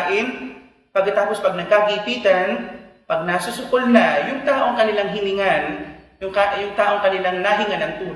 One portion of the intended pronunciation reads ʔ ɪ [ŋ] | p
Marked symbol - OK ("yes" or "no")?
no